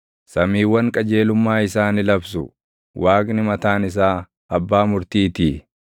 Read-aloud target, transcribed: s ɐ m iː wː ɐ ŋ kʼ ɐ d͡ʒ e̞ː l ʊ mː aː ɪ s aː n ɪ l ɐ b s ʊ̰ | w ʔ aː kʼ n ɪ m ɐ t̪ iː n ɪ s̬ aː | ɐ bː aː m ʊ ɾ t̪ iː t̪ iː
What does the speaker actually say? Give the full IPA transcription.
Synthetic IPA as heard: s ɐ m iː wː ɐ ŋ kʼ ɐ d͡ʒ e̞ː l ʊ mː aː ɪ s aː n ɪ l ɐ b s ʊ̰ | w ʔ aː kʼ n ɪ m ɐ t̪ aː n ɪ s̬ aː | ɐ bː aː m ʊ ɾ t̪ iː t̪ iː